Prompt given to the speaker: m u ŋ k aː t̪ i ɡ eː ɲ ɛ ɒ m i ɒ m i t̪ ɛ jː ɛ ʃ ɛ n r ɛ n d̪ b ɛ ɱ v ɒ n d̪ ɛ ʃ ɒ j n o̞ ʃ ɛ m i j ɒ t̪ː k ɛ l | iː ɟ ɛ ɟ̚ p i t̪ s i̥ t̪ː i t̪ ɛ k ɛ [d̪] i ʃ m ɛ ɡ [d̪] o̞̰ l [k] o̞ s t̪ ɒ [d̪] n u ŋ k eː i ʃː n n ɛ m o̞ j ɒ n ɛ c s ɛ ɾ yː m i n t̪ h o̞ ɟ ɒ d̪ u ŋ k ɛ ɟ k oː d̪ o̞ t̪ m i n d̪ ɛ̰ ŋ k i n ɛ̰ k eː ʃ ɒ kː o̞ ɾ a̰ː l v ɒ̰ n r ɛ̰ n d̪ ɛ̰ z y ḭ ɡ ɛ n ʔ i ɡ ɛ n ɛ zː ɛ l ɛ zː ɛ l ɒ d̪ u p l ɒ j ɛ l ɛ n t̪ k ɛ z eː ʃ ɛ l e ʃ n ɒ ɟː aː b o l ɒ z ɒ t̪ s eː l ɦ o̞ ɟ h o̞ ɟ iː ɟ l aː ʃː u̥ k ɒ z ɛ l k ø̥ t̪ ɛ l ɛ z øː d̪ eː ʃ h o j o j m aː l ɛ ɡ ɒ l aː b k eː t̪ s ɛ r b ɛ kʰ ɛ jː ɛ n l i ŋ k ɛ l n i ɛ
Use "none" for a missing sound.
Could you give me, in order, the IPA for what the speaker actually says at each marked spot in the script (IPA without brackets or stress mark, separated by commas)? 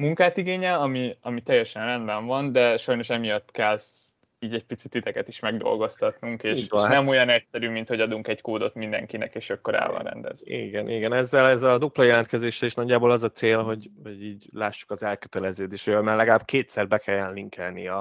t̪, d̪, ɡ, t̪